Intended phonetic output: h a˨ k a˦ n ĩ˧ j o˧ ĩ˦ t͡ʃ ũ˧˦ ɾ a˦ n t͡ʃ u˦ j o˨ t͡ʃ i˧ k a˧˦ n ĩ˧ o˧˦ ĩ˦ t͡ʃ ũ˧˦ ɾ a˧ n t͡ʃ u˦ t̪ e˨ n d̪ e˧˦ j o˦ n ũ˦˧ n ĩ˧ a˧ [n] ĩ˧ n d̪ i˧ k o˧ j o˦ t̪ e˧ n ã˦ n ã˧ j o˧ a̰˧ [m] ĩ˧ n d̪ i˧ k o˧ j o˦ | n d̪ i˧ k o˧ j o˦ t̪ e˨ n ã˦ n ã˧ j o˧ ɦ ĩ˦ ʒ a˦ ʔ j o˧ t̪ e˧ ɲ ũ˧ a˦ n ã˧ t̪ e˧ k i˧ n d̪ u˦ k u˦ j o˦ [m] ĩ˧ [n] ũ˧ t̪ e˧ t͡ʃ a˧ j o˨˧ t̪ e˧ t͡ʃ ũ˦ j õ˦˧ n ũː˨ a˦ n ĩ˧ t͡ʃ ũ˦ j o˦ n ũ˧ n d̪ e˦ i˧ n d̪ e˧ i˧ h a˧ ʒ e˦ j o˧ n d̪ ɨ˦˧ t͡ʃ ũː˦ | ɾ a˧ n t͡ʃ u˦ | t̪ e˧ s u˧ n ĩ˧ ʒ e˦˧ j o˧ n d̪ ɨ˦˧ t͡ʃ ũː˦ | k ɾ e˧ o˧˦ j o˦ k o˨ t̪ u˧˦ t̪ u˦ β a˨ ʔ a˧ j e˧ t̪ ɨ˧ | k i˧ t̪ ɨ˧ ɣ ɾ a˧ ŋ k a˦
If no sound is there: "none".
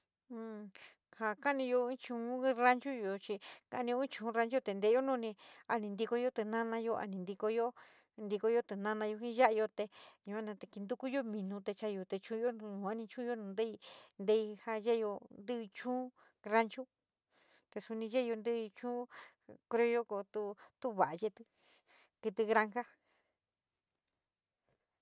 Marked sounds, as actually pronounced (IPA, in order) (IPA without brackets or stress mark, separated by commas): n, n, m, n